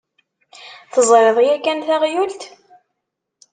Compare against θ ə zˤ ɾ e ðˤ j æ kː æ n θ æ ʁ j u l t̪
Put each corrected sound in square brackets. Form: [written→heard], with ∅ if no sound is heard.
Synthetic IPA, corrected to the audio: θ ə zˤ ɾ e ðˤ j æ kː æ n θ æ ʁ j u l t̪